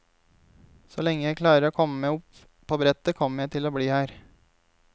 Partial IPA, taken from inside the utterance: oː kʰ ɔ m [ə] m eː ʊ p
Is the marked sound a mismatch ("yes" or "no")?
no